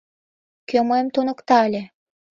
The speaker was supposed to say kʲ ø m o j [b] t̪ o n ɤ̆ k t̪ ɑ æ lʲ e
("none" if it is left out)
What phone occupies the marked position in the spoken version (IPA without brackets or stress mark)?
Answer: m